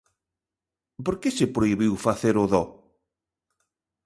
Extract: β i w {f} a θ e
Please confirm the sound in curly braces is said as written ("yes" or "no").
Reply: yes